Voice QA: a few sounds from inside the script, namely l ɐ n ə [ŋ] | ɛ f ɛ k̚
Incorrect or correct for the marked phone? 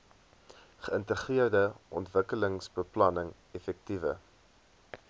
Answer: correct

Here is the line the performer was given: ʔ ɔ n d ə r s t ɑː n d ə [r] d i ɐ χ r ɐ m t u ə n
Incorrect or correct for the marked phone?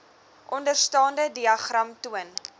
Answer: incorrect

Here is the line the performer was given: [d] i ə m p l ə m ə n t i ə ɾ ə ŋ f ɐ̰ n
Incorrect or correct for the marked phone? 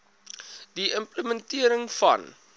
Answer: correct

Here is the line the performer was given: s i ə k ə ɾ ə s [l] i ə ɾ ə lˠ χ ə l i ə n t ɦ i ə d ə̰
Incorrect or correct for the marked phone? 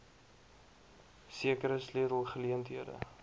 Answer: correct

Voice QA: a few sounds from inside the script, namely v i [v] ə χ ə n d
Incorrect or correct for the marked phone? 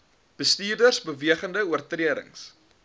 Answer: incorrect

